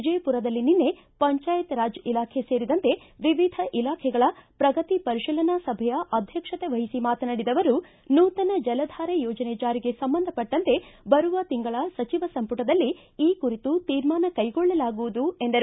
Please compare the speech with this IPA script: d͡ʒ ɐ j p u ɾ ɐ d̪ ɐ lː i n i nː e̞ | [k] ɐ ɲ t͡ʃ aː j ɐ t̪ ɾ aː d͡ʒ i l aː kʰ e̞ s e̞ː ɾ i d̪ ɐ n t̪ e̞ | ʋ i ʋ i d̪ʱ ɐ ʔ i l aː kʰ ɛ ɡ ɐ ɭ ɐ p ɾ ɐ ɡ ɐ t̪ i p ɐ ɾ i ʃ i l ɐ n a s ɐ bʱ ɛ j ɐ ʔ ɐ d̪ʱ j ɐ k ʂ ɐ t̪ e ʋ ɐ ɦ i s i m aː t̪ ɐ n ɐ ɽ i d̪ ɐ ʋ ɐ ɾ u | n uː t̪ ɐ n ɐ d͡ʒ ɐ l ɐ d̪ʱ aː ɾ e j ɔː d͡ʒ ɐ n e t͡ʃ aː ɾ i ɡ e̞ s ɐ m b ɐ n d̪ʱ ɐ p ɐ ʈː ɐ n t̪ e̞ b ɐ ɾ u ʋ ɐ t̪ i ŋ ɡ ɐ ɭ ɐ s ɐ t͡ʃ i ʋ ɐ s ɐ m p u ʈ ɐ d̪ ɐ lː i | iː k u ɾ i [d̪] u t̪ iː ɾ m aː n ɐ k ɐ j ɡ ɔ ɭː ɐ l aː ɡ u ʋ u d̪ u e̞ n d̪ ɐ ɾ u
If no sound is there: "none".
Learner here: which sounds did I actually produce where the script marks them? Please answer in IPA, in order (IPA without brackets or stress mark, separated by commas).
p, t̪